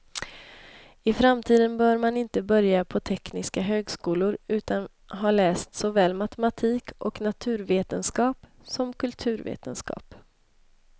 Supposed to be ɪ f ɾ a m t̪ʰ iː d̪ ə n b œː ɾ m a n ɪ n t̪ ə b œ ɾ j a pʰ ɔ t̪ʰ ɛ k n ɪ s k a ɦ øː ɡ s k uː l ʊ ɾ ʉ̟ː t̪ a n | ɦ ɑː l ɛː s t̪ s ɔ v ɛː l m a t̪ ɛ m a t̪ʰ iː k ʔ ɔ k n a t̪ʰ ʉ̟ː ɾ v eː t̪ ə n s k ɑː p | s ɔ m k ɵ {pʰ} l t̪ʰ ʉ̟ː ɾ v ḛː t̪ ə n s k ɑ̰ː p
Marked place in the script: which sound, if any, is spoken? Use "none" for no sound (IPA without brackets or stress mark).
none